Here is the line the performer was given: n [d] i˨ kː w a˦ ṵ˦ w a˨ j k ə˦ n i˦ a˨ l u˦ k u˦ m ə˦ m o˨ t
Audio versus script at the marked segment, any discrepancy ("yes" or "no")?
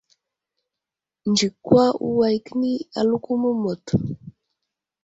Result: yes